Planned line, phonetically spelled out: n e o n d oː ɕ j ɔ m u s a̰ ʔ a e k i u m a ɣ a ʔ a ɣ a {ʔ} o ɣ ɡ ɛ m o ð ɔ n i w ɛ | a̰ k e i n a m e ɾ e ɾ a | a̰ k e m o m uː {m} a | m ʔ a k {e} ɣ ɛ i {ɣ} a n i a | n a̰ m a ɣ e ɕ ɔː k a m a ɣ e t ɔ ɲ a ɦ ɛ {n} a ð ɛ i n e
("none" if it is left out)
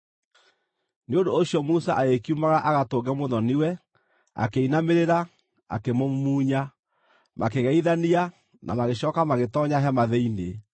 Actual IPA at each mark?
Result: t, ɲ, e, ð, m

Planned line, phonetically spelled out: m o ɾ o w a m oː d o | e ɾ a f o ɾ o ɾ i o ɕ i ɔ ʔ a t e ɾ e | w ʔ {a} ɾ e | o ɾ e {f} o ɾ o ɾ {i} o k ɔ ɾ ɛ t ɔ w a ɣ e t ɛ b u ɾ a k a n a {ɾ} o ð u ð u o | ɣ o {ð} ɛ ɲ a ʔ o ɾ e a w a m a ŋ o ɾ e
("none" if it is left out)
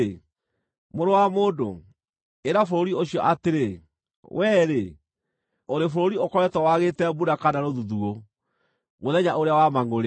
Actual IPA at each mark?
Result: ɛ, f, i, ɾ, ð

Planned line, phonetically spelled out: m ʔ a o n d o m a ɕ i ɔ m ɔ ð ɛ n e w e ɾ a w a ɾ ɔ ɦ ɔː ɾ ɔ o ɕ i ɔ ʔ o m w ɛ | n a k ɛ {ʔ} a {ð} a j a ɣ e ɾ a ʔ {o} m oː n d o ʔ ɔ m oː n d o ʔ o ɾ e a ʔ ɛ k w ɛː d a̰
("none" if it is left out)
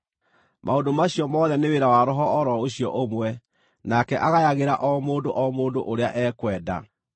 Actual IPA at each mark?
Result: ʔ, ɣ, ɔ

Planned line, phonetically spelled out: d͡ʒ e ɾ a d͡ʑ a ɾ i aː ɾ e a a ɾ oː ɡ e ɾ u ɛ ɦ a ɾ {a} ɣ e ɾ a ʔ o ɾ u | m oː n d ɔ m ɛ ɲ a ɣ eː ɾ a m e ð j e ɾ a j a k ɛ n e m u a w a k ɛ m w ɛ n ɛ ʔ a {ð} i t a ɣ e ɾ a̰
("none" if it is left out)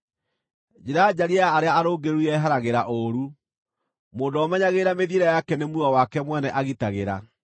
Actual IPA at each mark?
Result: a, ɣ

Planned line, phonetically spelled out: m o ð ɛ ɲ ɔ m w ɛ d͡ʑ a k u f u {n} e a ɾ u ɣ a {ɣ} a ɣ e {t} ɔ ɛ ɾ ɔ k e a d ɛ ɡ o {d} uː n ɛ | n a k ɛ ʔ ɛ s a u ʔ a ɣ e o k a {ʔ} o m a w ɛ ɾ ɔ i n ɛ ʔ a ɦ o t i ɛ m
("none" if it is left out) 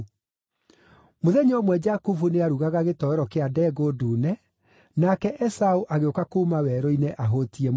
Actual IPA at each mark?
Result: n, ɣ, t, d, k

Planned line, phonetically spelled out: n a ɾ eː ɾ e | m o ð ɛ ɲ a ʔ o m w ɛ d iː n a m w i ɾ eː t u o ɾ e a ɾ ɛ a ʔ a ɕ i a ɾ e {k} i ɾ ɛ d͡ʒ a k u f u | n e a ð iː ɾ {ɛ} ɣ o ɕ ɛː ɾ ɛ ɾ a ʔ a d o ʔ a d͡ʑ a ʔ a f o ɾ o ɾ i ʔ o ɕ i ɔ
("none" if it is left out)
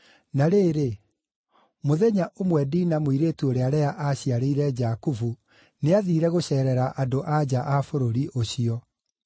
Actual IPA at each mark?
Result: none, ɛ

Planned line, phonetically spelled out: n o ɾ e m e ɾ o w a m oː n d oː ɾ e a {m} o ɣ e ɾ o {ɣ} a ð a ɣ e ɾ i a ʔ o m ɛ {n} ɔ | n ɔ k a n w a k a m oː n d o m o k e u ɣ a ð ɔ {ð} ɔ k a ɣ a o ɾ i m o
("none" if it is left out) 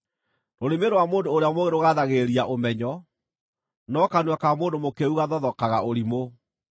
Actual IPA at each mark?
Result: m, ɣ, ɲ, ð

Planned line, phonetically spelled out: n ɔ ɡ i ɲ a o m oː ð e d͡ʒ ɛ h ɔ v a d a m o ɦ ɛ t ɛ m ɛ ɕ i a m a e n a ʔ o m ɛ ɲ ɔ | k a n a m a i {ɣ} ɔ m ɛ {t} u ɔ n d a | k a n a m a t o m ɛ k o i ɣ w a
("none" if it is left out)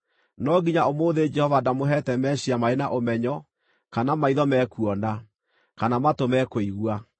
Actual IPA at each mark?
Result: ð, k

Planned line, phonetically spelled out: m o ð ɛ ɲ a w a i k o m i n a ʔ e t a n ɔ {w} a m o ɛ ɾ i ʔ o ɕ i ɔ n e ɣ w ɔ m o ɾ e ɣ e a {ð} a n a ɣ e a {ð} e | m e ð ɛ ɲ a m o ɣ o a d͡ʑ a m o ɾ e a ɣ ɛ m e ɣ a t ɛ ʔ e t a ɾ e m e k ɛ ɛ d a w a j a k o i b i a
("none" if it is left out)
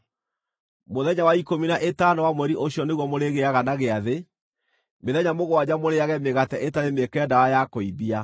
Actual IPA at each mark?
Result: w, ɣ, ð

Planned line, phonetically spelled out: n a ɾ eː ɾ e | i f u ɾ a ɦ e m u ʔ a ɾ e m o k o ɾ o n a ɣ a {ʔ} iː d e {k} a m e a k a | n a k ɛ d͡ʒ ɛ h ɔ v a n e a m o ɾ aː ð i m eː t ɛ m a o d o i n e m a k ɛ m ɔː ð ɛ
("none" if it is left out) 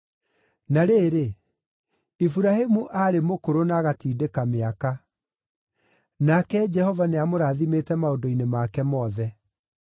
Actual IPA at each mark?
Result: t, k

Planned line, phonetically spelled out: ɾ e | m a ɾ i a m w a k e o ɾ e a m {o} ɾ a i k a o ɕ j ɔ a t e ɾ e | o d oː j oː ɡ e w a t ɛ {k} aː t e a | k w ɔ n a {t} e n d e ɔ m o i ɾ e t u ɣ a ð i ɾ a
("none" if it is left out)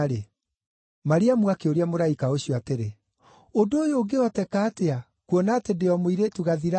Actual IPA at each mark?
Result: o, k, t

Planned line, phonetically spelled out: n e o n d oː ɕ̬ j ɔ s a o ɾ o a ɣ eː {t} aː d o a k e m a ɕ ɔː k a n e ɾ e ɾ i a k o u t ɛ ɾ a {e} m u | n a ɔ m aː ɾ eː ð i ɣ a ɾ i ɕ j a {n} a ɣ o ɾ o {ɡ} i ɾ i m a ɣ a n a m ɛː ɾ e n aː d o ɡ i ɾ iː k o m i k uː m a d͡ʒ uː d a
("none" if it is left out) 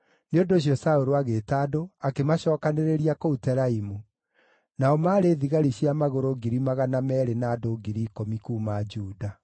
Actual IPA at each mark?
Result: t, i, m, ɡ

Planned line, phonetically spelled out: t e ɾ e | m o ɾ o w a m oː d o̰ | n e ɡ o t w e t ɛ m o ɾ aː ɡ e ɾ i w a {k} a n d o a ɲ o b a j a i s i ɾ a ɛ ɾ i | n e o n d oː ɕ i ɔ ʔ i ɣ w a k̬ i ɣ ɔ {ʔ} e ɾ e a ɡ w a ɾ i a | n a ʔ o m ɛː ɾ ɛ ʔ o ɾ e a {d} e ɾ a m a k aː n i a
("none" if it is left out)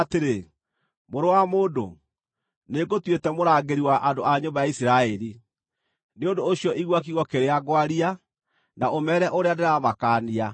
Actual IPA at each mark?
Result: ʔ, k, d

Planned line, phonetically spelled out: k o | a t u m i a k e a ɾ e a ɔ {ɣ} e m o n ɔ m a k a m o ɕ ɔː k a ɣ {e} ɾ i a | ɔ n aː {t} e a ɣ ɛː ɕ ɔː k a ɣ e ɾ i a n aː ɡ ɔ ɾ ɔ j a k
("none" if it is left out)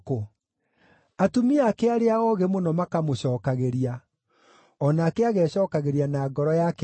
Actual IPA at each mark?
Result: ɣ, e, k

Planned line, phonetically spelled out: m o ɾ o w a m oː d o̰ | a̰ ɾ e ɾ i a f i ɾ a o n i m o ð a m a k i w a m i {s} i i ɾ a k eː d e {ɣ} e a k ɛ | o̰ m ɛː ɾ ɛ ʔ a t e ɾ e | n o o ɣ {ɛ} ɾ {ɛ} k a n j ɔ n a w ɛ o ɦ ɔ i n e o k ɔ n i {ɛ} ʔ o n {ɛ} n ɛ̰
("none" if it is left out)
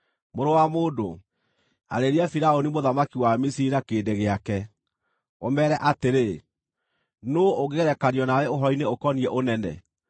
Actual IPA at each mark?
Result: s, ɣ, e, ɛ, ɛ, ɛ

